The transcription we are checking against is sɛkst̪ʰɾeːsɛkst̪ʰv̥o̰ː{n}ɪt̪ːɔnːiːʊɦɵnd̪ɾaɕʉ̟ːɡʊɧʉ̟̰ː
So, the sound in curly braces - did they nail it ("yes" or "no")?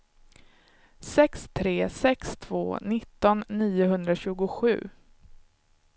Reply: yes